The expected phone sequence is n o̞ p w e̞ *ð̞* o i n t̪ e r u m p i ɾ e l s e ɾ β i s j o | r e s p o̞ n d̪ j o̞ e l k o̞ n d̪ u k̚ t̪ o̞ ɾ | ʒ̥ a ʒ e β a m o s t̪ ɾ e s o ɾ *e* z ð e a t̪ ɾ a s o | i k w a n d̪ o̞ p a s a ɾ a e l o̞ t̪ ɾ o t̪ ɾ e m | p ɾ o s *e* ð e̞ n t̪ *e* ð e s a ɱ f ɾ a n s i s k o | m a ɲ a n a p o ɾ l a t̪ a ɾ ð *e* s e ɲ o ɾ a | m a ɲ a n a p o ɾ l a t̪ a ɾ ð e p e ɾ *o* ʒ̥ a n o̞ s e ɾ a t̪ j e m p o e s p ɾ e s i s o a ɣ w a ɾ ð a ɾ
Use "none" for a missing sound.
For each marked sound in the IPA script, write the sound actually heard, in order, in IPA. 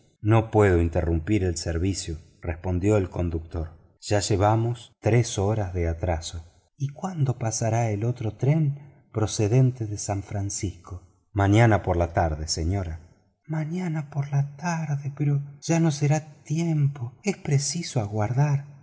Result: ð̞, a, e, e, e, o

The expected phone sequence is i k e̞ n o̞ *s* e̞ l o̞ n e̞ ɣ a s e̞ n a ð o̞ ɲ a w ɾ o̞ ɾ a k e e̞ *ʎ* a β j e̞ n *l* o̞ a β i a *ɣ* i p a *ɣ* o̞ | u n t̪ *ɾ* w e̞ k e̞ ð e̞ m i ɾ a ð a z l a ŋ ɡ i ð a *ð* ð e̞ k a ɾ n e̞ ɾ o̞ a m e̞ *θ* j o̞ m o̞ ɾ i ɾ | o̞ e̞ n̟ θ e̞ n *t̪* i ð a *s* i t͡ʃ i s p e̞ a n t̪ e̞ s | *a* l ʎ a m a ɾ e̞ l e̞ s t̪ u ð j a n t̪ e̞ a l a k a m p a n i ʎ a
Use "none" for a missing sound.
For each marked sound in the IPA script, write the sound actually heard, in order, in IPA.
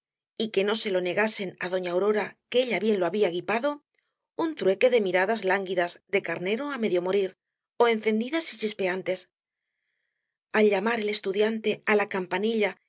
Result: s, ʎ, l, ɣ, ð, ɾ, z, ð, d̪, s, a

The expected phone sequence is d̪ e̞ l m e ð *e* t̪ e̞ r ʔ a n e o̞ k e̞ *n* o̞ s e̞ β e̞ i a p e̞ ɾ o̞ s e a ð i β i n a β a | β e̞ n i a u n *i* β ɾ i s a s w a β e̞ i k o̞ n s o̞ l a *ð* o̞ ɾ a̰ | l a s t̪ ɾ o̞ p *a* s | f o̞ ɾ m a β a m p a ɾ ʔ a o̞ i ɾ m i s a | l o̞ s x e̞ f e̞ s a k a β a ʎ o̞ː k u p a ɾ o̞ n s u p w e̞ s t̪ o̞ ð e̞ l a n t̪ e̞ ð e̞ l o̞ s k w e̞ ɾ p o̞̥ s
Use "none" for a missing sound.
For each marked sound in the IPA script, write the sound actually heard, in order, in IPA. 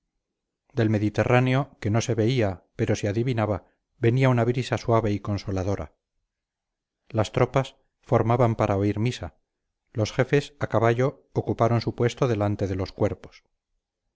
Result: i, n, a, ð, a

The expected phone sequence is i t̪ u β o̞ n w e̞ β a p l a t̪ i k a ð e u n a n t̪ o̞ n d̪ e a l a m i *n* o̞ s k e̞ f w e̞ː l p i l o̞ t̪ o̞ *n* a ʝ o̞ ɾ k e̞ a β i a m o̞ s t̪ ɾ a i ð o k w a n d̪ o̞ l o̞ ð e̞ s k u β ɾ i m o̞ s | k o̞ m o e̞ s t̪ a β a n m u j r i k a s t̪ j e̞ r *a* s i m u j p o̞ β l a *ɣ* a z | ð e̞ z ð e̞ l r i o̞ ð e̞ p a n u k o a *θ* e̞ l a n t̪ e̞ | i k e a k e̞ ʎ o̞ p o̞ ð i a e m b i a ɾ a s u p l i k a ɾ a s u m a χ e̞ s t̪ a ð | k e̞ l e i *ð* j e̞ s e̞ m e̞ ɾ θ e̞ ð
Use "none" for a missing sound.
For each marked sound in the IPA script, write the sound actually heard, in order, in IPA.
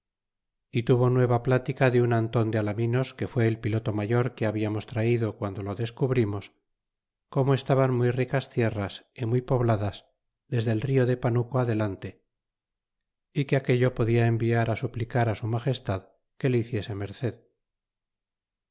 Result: n, m, a, ð, ð, θ

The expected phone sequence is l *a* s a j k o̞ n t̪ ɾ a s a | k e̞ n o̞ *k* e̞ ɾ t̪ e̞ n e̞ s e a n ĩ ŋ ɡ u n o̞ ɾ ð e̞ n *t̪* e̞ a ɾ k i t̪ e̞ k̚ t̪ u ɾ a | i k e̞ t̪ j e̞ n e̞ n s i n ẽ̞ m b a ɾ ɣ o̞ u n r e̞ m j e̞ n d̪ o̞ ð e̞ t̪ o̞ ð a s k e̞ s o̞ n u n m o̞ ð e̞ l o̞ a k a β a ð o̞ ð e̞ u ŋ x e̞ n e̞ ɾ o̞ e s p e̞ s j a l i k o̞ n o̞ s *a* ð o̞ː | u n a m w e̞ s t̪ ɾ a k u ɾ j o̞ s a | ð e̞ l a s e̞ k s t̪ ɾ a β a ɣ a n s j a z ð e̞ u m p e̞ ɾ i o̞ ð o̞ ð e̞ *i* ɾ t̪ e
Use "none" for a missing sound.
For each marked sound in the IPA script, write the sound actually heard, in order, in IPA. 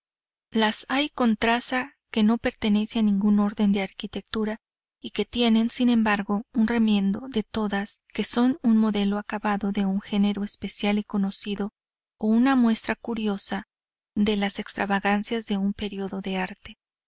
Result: a, p, d̪, i, a

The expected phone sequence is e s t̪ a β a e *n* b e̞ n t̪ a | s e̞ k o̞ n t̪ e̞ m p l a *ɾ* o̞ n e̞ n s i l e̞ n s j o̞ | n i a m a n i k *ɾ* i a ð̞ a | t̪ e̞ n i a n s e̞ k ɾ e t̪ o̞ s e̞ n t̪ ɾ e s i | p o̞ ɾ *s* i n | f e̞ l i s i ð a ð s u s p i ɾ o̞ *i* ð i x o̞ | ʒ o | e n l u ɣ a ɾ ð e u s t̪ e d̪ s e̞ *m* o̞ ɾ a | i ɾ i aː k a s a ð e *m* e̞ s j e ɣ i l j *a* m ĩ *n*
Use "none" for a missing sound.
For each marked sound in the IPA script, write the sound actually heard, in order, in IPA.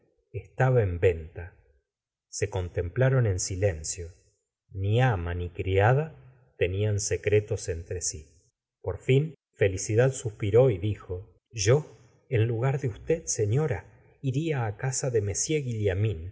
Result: m, ɾ, ɾ, f, i, ɲ, m, a, n

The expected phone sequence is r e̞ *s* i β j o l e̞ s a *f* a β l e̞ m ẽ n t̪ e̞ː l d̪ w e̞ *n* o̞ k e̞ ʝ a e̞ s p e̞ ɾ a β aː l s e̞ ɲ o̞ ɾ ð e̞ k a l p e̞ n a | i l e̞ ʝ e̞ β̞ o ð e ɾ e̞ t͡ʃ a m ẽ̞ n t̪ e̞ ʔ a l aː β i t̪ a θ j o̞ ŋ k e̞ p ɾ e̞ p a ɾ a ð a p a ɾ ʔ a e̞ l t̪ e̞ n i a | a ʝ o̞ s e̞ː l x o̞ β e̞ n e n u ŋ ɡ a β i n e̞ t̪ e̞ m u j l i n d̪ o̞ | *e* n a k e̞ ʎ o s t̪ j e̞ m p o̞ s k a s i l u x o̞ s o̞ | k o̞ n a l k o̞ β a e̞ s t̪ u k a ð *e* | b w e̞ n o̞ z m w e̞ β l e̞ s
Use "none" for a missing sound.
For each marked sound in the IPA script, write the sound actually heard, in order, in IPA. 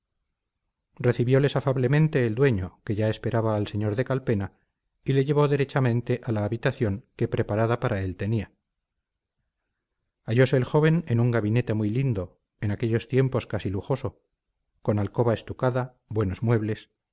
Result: θ, f, ɲ, e, a

